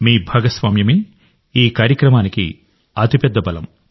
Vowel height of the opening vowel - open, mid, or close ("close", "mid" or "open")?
close